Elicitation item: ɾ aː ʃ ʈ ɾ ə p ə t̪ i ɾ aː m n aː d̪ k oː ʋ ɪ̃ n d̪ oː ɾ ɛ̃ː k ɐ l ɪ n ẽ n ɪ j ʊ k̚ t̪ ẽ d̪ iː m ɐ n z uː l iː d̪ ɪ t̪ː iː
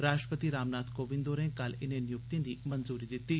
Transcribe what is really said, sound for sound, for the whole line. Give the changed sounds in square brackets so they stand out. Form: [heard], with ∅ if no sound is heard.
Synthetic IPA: ɾ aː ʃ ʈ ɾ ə p ə t̪ i ɾ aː m n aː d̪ k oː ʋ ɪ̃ n d̪ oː ɾ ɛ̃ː k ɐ l ɪ n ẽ n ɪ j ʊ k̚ t̪ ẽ d̪ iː m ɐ n z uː [ɾ] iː d̪ ɪ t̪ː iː